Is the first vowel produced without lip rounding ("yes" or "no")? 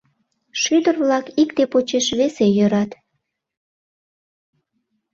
no